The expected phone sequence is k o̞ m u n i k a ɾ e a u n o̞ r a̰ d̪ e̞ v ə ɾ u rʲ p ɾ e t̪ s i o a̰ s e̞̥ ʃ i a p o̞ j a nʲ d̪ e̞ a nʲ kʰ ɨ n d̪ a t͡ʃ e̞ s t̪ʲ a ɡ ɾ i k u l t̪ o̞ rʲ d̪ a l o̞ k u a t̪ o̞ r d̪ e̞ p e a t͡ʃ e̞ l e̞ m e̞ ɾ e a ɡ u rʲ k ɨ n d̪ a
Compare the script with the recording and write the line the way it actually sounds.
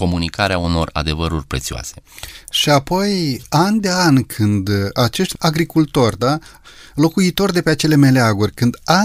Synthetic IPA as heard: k o̞ m u n i k a ɾ e a u n o̞ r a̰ d̪ e̞ v ə ɾ u rʲ p ɾ e t̪ s i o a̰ s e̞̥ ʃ i a p o̞ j a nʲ d̪ e̞ a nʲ kʰ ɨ n d̪ a t͡ʃ e̞ ʃ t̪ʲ a ɡ ɾ i k u l t̪ o̞ rʲ d̪ a l o̞ k u i t̪ o̞ r d̪ e̞ p e a t͡ʃ e̞ l e̞ m e̞ l e a ɡ u rʲ k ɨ n d̪ a